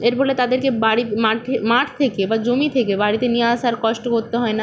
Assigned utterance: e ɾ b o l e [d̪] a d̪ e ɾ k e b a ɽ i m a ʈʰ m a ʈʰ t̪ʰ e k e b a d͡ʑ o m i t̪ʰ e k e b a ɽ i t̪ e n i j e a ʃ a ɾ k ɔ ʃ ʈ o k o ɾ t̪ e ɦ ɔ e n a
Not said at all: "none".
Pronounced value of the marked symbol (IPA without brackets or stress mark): t̪